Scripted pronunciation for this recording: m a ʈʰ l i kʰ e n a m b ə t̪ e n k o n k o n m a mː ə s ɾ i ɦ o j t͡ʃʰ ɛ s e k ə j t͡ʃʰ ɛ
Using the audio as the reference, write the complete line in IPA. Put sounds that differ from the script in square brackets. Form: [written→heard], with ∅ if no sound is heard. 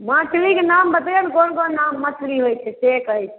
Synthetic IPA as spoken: m a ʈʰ l i [kʰ→k] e n a m b ə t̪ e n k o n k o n [m→n] a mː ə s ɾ i ɦ o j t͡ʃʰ ɛ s e k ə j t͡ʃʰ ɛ